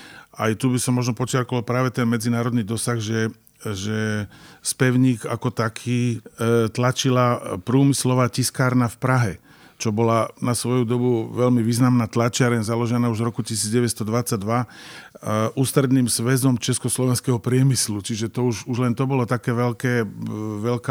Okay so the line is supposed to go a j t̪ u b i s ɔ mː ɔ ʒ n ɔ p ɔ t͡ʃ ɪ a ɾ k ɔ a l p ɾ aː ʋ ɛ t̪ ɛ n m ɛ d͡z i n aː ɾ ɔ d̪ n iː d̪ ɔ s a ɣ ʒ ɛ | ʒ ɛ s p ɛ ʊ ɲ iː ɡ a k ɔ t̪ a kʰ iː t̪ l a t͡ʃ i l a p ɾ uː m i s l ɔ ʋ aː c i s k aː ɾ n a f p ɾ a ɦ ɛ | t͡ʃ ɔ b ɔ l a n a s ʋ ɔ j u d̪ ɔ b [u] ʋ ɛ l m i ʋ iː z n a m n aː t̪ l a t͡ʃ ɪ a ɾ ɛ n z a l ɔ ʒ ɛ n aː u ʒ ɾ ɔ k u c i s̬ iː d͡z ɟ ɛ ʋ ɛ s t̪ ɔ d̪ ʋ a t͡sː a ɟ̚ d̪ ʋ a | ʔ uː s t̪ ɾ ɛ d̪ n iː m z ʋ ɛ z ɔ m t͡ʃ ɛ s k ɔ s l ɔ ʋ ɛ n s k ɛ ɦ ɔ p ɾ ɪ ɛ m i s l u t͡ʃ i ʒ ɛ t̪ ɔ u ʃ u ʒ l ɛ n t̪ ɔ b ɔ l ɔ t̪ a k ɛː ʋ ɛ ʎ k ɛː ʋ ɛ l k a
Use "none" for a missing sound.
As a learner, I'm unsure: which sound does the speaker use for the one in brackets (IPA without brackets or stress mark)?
u